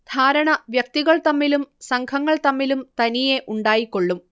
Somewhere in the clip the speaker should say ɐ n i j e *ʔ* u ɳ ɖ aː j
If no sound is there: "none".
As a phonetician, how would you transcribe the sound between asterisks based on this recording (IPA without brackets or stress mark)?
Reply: ʔ